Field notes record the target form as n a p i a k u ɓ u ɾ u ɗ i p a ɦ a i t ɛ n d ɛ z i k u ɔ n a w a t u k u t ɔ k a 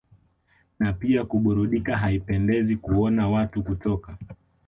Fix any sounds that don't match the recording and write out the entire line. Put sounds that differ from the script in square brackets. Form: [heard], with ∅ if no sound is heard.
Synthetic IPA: n a p i a k u ɓ u ɾ u ɗ i [k] a ɦ a i [p] ɛ n d ɛ z i k u ɔ n a w a t u k u t ɔ k a